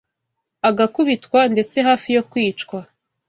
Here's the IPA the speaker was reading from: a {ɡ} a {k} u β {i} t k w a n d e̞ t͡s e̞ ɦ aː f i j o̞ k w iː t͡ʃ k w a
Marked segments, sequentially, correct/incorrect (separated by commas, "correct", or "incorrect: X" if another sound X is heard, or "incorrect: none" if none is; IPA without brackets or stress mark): correct, correct, correct